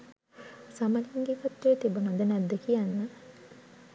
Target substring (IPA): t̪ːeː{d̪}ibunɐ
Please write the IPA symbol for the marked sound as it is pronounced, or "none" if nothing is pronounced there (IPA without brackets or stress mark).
t̪